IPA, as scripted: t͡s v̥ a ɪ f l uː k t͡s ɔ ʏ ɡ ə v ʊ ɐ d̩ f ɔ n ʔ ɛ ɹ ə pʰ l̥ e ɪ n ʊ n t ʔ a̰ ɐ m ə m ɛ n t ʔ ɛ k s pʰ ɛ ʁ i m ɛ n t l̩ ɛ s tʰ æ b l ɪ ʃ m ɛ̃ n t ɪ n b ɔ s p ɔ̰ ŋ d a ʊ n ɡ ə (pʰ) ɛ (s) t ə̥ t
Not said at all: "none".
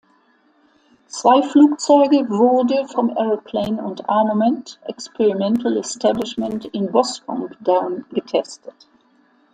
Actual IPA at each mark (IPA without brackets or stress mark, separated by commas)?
tʰ, s